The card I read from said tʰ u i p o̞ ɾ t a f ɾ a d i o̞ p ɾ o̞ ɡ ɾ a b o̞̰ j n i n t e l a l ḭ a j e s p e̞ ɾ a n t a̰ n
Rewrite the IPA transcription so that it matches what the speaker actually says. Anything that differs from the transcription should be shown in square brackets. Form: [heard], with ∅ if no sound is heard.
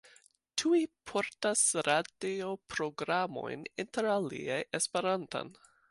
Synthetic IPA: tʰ u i [pʰ] o̞ ɾ t a [s] ɾ a d i o̞ p ɾ o̞ ɡ ɾ a [m] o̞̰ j n i n t e [ɾ] a l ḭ a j e s p e̞ ɾ a n t a̰ n